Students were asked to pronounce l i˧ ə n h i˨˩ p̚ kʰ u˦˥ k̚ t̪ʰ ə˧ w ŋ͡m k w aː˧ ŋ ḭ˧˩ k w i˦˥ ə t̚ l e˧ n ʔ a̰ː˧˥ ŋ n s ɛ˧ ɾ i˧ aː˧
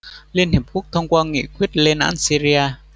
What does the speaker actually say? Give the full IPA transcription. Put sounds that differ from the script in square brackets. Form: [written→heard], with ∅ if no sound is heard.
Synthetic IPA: l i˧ ə n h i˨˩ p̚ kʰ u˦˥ k̚ t̪ʰ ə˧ w ŋ͡m k w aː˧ ŋ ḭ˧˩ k w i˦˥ ə t̚ l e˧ n ʔ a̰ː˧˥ [ŋ→∅] n s [ɛ˧→i˧] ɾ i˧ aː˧